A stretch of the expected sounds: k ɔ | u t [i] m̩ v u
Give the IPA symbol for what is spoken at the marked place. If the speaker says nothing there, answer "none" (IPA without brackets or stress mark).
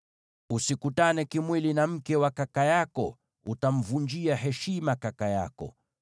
a